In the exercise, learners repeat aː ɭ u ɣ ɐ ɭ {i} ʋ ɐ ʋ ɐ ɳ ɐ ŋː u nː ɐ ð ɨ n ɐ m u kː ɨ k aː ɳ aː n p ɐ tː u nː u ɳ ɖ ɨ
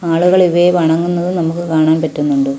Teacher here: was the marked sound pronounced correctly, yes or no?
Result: yes